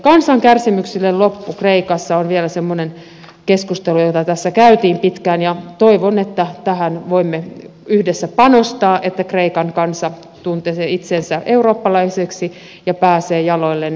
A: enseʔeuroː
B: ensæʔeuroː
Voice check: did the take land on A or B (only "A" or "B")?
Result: B